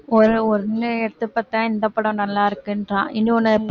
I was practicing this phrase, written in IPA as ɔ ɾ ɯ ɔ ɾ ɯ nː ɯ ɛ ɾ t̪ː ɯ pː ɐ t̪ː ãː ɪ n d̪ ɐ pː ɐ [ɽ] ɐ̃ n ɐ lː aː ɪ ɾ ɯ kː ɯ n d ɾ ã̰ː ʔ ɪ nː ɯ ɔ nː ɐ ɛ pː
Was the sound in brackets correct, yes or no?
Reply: yes